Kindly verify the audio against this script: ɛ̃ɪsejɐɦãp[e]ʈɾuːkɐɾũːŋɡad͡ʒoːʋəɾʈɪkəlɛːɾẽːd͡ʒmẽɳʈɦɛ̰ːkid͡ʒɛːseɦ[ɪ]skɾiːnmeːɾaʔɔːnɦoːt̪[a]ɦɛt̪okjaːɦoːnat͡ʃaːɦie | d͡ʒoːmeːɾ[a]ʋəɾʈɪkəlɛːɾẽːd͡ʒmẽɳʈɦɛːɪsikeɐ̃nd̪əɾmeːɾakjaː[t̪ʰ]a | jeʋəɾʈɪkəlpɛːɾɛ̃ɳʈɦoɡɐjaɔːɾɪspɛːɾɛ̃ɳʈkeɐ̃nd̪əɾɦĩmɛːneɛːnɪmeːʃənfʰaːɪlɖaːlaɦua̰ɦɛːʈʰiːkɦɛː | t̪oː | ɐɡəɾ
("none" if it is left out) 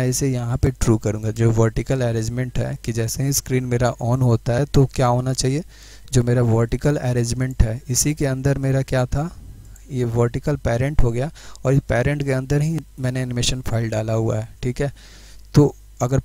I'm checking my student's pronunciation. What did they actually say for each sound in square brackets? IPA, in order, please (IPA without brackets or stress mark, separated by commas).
e, i, a, a, t̪ʰ